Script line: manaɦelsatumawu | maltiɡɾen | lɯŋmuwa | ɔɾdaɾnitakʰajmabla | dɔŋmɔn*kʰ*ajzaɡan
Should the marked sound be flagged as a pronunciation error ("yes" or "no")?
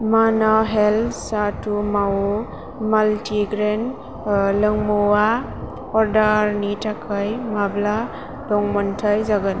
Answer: yes